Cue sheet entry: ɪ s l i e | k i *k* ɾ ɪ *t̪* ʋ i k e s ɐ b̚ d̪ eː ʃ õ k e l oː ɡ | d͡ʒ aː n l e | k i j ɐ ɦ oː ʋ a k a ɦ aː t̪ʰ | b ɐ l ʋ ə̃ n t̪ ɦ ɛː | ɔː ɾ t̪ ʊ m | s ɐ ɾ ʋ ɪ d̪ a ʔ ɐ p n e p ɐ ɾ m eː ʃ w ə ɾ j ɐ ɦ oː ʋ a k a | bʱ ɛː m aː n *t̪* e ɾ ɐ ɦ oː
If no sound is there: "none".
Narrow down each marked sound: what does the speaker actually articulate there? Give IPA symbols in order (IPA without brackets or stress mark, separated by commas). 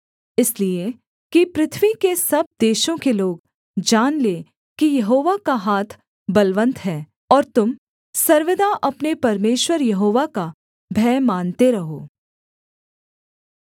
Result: p, t̪ʰ, t̪